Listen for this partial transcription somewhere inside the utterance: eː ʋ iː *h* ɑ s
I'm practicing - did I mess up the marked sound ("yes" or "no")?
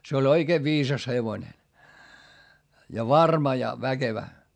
yes